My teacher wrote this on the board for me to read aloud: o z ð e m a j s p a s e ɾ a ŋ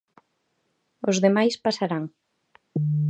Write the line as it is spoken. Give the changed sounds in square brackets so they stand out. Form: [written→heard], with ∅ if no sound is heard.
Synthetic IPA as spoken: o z ð e m a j s p a s [e→a] ɾ a ŋ